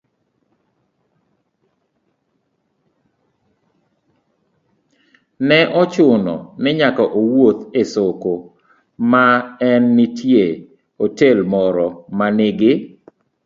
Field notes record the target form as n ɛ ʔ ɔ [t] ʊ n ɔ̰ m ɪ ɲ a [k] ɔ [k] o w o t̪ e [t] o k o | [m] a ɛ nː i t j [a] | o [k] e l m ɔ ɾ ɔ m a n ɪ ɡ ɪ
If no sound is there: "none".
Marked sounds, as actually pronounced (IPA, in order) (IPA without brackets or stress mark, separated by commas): t͡ʃ, k, ʔ, s, m, e, t